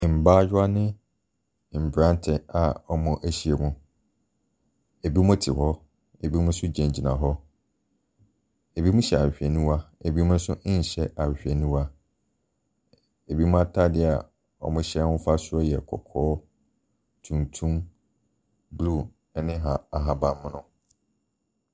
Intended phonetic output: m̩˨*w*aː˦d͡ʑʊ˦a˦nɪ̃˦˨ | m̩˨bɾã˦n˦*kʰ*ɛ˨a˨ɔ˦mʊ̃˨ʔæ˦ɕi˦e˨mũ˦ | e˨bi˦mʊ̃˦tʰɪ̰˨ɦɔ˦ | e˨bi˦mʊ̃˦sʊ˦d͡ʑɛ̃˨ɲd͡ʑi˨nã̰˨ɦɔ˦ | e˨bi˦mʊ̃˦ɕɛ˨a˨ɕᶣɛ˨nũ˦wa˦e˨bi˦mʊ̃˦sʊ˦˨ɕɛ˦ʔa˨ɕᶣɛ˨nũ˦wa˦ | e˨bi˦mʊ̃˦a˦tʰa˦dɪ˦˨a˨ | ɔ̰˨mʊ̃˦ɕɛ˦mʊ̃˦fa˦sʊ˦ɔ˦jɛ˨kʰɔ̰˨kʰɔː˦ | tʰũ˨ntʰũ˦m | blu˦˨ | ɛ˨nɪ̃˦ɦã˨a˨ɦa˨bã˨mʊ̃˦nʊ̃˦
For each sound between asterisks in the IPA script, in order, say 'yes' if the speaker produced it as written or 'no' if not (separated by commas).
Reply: no, no